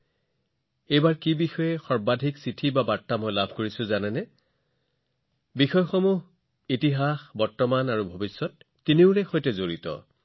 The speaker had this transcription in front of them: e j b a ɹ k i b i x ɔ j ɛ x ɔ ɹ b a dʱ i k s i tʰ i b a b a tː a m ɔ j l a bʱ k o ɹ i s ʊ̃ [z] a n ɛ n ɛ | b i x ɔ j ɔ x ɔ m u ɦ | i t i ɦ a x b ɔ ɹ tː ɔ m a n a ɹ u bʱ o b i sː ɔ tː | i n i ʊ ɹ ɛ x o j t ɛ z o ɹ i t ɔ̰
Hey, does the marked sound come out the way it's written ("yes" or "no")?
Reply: yes